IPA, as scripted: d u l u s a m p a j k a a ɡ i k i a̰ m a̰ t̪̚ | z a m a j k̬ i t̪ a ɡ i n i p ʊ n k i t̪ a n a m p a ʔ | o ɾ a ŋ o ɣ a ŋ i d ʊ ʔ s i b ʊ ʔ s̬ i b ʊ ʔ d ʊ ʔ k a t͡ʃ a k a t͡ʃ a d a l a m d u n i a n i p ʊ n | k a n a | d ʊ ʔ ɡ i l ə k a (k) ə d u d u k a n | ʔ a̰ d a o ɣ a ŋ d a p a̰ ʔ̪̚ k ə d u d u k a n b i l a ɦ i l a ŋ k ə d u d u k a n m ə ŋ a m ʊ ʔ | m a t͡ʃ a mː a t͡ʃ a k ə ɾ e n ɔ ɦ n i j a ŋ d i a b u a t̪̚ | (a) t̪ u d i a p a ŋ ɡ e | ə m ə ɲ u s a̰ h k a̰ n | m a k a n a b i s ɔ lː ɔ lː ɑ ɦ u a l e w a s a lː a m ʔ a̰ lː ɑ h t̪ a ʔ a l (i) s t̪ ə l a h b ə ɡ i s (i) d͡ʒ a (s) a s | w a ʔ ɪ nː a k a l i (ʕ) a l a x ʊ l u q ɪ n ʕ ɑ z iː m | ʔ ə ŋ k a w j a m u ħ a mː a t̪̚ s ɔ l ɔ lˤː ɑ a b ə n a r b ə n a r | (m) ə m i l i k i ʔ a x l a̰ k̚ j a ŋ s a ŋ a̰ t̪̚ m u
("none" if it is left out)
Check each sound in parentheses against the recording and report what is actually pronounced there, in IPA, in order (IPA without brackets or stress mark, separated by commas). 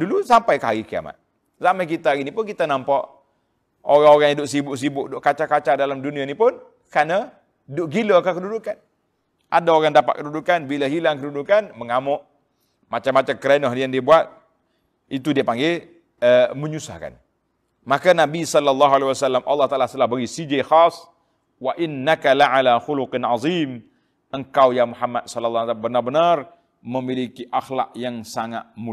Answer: k, i, a, i, x, ʕ, m